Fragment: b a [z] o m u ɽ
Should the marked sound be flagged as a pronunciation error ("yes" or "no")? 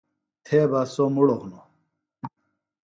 yes